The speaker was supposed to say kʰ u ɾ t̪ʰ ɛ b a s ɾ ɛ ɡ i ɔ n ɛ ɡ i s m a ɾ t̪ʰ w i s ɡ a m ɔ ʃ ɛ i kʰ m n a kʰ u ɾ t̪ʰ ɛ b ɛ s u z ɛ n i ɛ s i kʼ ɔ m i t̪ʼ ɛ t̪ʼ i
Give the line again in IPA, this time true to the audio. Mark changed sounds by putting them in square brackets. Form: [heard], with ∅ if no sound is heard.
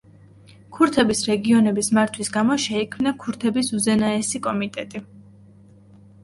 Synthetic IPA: kʰ u ɾ t̪ʰ ɛ b [i] s ɾ ɛ ɡ i ɔ n ɛ [b] i s m a ɾ t̪ʰ w i s ɡ a m ɔ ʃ ɛ i kʰ m n a kʰ u ɾ t̪ʰ ɛ b [i] s u z ɛ n [a] ɛ s i kʼ ɔ m i t̪ʼ ɛ t̪ʼ i